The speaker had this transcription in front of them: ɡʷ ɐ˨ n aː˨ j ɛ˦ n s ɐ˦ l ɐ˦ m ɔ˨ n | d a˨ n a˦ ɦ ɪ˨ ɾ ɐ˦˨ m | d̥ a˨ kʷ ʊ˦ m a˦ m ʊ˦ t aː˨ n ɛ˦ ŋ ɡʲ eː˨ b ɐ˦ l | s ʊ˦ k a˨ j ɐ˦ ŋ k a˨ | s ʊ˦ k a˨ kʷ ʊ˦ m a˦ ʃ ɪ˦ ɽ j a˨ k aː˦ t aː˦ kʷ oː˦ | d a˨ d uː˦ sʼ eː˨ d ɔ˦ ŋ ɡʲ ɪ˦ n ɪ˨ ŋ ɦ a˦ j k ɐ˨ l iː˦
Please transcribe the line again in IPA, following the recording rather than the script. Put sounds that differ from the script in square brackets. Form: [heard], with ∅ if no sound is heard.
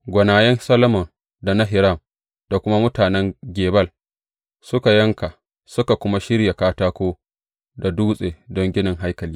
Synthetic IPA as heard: ɡʷ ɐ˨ n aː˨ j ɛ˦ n s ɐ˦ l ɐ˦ m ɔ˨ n | d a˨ n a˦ ɦ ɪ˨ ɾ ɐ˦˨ m | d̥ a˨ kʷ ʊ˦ m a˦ m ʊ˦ t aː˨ n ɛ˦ ŋ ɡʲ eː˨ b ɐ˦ l | s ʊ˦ k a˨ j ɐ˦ ŋ k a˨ | s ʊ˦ k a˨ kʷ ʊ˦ m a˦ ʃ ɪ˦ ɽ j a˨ k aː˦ t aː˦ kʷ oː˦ | d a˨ d uː˦ sʼ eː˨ d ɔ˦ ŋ ɡʲ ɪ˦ n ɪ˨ ŋ ɦ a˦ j k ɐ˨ l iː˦

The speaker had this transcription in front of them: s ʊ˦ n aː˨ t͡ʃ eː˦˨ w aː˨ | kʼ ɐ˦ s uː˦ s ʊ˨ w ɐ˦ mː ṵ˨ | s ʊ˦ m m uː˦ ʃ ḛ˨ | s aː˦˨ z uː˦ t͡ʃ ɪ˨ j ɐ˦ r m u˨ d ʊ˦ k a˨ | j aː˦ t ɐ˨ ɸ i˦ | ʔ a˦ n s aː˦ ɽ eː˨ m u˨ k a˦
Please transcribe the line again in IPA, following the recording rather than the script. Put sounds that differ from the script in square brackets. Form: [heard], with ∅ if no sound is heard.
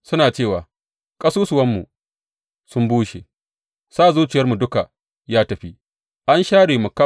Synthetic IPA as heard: s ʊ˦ n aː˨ t͡ʃ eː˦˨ w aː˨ | kʼ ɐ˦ s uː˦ s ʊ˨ w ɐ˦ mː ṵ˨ | s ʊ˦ m [b] uː˦ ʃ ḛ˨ | s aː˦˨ z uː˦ t͡ʃ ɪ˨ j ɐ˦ r m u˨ d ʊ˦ k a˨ | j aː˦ t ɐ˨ ɸ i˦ | ʔ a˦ n [ʃ] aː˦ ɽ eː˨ m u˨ k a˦

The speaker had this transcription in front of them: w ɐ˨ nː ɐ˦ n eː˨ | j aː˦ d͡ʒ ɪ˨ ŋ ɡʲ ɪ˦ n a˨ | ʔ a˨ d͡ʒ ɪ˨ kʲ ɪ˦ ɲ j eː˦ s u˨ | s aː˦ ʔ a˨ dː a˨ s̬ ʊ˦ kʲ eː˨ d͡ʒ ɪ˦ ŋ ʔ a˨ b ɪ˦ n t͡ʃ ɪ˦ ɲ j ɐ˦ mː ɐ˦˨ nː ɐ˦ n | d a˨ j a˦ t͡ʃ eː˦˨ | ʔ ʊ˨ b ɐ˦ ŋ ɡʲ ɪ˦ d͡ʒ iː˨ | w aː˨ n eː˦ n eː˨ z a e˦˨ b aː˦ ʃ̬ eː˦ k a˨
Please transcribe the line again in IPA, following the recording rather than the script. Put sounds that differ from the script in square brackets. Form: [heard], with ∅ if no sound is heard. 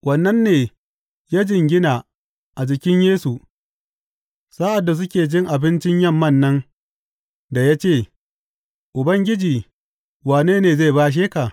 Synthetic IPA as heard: w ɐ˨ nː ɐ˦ [nː] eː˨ | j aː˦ d͡ʒ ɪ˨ ŋ ɡʲ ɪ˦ n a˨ | ʔ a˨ d͡ʒ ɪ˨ kʲ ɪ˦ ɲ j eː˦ s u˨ | s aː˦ ʔ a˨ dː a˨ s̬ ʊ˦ kʲ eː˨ d͡ʒ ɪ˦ ŋ ʔ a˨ b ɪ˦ n t͡ʃ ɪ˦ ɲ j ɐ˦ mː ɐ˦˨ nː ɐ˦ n | d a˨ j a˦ t͡ʃ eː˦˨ | ʔ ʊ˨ b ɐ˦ ŋ ɡʲ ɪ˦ d͡ʒ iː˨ | w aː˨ n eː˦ n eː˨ z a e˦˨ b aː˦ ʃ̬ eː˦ k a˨

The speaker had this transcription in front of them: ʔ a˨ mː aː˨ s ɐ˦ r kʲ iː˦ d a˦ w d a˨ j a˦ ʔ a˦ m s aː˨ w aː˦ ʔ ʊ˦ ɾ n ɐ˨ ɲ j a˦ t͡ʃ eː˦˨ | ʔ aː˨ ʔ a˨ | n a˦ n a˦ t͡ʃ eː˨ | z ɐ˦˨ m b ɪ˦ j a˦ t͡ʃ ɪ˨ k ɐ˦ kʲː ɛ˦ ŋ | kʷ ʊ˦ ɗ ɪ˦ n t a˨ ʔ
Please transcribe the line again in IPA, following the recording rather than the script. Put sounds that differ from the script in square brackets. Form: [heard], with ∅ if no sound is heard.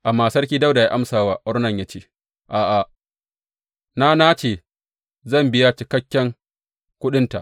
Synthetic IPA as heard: ʔ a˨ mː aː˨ s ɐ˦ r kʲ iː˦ d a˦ w d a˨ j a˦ ʔ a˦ m s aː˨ w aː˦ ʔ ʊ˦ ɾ n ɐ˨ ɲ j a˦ t͡ʃ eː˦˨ | ʔ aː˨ ʔ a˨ | n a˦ n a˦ t͡ʃ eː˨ | z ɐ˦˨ m b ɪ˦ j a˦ t͡ʃ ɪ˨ k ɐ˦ kʲː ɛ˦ ŋ | kʷ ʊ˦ ɗ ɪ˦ n t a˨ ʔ

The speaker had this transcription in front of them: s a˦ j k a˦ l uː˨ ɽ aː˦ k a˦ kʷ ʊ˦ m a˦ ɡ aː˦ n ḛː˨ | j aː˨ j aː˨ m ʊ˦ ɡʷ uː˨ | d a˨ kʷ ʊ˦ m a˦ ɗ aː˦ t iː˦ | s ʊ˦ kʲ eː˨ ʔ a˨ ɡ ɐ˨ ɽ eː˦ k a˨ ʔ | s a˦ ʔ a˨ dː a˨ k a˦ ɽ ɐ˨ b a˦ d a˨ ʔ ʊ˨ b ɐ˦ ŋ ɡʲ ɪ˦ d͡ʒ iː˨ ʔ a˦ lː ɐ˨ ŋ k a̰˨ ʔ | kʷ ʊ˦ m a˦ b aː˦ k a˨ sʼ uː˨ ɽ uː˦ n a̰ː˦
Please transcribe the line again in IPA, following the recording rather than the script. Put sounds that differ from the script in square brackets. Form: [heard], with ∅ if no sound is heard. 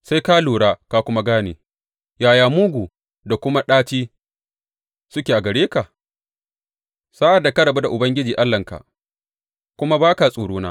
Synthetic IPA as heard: s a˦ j k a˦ l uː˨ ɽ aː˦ k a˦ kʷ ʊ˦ m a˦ ɡ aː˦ n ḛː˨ | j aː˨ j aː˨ m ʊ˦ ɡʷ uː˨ | d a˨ kʷ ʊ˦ m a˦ ɗ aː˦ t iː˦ | s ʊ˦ kʲ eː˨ ʔ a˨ ɡ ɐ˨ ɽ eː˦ k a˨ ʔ | s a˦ ʔ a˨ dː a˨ k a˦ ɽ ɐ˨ b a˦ d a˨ ʔ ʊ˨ b ɐ˦ ŋ ɡʲ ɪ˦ d͡ʒ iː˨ ʔ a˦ lː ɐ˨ ŋ k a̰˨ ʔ | kʷ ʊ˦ m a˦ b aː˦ k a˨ sʼ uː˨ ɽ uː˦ n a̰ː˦

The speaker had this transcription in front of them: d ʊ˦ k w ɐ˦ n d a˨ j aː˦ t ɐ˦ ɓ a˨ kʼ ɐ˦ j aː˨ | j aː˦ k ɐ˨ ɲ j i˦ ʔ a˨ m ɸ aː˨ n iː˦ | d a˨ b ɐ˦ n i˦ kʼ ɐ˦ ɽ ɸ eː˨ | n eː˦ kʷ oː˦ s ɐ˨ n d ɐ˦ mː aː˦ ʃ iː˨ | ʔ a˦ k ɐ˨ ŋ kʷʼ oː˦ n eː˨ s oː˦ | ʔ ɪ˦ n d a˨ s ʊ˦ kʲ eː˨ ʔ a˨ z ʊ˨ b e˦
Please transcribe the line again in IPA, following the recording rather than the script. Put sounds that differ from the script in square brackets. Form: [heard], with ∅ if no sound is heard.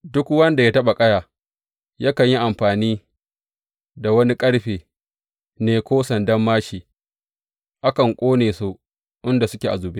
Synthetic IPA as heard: d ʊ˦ k w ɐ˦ n d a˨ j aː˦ t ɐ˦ ɓ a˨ kʼ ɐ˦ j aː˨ | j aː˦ k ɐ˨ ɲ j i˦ ʔ a˨ m ɸ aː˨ n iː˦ | d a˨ [w] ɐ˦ n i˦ kʼ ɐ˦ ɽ ɸ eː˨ | n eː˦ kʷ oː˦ s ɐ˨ n d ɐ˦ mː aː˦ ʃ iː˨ | ʔ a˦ k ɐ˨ ŋ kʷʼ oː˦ n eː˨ s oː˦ | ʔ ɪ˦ n d a˨ s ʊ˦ kʲ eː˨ ʔ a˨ z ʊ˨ b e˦

